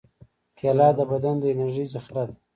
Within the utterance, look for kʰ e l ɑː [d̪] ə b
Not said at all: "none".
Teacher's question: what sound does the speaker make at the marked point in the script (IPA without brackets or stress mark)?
d̪